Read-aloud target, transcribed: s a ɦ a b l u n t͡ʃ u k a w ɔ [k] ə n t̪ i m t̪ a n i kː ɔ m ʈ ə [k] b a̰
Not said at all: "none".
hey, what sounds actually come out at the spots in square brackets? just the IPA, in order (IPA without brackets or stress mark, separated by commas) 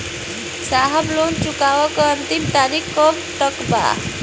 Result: k, k